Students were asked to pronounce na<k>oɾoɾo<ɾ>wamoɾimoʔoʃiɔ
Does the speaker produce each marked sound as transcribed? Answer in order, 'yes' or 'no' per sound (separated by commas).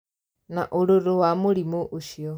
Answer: no, no